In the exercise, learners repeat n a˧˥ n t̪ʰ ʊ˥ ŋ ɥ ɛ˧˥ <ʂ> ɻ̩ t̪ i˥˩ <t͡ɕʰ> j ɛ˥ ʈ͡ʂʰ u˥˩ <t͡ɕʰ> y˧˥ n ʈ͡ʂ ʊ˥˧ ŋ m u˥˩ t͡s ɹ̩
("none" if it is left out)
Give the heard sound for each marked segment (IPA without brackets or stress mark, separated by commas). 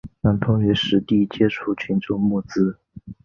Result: ʂ, t͡ɕ, t͡ɕʰ